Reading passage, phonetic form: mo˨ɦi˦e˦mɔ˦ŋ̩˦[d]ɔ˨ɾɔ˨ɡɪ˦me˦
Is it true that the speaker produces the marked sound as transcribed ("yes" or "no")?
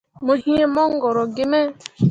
no